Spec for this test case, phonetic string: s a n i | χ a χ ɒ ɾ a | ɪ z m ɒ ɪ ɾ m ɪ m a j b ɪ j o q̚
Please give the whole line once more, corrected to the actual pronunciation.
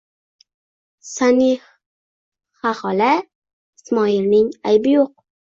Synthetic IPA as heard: s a n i | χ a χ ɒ l a | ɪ s m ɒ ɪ ɾ n ɪ ŋ a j b ɪ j o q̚